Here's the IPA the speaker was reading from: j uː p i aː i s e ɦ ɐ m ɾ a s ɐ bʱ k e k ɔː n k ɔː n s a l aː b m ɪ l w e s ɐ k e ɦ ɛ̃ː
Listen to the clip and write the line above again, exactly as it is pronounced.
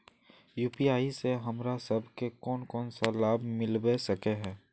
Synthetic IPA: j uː p i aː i s e ɦ ɐ m ɾ a s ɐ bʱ k e k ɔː n k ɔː n s a l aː b m ɪ l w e s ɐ k e ɦ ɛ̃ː